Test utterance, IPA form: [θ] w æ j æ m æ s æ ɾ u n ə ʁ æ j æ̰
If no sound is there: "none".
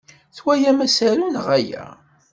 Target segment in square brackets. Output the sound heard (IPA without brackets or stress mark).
θ